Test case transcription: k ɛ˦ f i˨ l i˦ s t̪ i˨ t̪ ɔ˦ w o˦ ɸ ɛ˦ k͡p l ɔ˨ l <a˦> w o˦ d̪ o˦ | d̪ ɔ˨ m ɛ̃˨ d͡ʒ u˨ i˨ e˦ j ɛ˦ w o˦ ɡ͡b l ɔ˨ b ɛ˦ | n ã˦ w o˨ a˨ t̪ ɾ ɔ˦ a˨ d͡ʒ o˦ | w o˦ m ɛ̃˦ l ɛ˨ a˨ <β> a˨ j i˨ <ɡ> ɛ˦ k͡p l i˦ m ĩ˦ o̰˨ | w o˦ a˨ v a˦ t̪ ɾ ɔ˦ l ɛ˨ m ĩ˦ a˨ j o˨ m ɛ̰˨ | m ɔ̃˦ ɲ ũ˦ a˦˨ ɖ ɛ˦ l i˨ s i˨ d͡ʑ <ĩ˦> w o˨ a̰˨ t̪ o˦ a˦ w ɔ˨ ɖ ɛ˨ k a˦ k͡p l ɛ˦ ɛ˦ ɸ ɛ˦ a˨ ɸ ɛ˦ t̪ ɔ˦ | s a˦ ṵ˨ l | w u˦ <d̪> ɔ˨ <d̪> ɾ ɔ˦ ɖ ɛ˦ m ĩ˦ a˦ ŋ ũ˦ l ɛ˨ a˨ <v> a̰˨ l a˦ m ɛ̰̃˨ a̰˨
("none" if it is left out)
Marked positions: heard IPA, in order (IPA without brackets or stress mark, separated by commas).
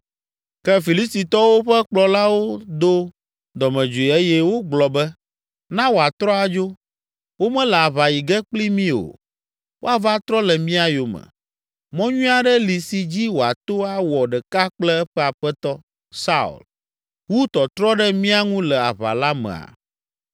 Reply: a˦, β, ɡ, i˦, t̪, t̪, β